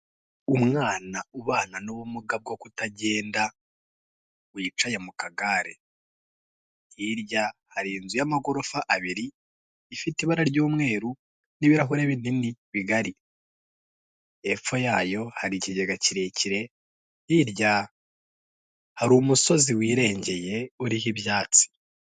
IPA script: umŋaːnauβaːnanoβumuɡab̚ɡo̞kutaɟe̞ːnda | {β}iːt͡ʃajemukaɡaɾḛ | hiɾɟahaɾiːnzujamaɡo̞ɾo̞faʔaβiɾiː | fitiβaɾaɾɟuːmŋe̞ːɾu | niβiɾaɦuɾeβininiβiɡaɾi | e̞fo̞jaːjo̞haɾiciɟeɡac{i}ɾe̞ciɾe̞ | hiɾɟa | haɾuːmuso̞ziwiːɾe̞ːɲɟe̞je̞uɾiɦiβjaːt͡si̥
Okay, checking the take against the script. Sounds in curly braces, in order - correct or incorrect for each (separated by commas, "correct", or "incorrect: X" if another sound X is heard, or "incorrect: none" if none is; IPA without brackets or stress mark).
incorrect: w, correct